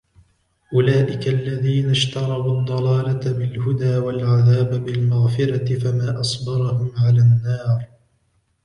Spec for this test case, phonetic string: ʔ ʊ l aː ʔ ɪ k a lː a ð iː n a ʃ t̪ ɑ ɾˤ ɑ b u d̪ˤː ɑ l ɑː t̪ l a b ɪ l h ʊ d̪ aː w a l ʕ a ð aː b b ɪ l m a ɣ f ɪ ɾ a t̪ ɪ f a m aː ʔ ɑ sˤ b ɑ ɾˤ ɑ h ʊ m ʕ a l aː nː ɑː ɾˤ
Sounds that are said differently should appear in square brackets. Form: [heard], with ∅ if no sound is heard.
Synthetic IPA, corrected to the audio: ʔ ʊ l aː ʔ ɪ k a lː a ð iː n a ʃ t̪ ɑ ɾˤ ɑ b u d̪ˤː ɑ l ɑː [∅] l a b ɪ l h ʊ d̪ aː w a l ʕ a ð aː b b ɪ l m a ɣ f ɪ ɾ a t̪ ɪ f a m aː ʔ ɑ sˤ b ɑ ɾˤ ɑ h ʊ m ʕ a l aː nː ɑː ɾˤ